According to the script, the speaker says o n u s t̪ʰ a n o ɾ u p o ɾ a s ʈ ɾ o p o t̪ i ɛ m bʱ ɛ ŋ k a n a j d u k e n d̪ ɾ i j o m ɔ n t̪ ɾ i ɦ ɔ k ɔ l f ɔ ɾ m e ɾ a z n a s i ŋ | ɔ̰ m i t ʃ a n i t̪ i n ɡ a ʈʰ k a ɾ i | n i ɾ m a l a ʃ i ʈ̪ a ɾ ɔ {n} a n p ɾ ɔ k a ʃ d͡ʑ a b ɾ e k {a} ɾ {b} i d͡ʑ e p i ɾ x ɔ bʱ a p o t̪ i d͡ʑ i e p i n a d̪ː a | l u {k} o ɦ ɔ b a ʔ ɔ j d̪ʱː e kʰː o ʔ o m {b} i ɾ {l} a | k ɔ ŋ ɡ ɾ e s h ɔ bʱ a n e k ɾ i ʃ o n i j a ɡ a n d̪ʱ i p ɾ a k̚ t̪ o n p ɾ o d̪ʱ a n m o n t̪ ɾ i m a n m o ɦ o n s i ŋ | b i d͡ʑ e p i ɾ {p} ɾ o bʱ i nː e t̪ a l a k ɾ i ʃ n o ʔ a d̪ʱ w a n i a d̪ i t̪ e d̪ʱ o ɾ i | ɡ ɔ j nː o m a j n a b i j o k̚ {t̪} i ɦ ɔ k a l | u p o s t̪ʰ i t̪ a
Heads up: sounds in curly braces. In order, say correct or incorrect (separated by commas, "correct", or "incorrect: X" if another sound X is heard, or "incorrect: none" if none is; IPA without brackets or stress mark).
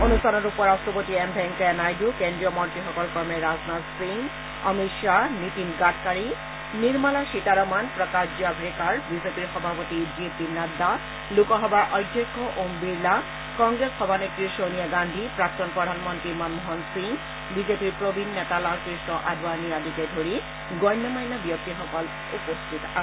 incorrect: m, correct, correct, correct, correct, correct, correct, correct